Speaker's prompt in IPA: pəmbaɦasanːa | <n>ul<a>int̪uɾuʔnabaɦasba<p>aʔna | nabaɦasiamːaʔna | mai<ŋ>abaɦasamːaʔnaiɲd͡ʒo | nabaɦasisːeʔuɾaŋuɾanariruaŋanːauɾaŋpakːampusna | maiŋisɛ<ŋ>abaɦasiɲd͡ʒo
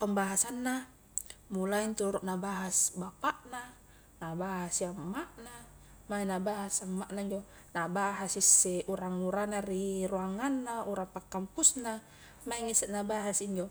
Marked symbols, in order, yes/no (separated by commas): no, yes, yes, no, no